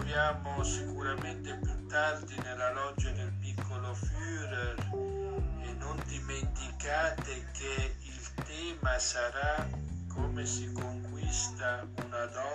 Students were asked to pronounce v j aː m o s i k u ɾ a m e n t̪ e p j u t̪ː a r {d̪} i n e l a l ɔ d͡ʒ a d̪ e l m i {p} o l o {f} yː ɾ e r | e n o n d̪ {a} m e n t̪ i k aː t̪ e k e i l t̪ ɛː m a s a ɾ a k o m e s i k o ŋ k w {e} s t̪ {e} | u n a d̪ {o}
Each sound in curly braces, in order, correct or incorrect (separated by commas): correct, incorrect, correct, incorrect, incorrect, incorrect, incorrect